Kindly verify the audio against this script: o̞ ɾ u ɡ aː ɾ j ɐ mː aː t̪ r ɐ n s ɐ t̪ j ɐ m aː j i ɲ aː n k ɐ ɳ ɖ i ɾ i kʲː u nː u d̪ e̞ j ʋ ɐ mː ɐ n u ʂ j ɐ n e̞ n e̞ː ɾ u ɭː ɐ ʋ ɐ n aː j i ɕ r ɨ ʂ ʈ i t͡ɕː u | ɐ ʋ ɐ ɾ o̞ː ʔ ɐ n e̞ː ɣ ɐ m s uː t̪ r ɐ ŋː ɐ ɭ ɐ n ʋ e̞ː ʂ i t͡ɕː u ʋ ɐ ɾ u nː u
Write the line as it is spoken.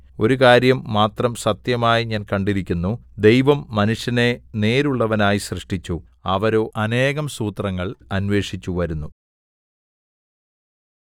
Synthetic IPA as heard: o̞ ɾ u k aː ɾ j ɐ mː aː t̪ r ɐ m s ɐ t̪ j ɐ m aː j i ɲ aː n k ɐ ɳ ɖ i ɾ i kʲː u nː u d̪ e̞ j ʋ ɐ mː ɐ n u ʂ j ɐ n e̞ n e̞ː ɾ u ɭː ɐ ʋ ɐ n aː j i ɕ r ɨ ʂ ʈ i t͡ɕː u | ɐ ʋ ɐ ɾ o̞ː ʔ ɐ n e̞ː ɣ ɐ m s uː t̪ r ɐ ŋː ɐ ɭ ɐ n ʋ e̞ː ʂ i t͡ɕː u ʋ ɐ ɾ u nː u